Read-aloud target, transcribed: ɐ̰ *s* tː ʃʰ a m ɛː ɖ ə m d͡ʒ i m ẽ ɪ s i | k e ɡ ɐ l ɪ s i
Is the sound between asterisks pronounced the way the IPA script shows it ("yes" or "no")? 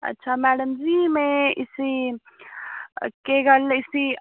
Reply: no